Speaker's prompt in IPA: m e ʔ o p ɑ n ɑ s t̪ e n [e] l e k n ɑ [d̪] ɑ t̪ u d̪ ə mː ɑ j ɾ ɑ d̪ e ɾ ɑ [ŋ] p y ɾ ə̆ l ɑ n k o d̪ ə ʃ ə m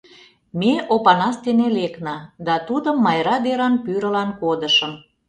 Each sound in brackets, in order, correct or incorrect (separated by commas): correct, correct, incorrect